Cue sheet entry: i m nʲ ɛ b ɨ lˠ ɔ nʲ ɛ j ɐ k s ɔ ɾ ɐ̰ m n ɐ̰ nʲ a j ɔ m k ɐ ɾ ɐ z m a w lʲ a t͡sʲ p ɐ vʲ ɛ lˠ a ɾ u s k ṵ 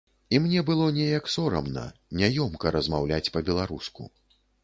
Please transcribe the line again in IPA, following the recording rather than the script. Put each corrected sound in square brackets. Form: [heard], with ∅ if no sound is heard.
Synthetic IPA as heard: i m nʲ ɛ b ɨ lˠ ɔ nʲ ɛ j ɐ k s ɔ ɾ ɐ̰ m n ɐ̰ nʲ a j ɔ m k ɐ ɾ ɐ z m a w lʲ a t͡sʲ p ɐ [bʲ] ɛ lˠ a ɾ u s k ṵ